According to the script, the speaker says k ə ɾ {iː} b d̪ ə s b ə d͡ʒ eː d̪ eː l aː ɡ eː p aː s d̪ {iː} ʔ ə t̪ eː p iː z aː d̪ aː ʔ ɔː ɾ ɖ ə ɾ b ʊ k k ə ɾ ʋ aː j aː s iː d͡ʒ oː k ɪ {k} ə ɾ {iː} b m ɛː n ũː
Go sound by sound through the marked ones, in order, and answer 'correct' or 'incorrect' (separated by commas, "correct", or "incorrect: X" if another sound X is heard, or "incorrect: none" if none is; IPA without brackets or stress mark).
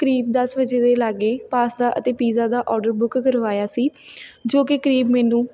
correct, incorrect: aː, correct, correct